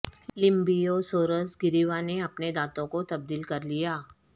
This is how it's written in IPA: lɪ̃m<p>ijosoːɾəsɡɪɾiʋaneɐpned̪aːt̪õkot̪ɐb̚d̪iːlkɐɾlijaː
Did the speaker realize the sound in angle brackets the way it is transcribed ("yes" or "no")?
no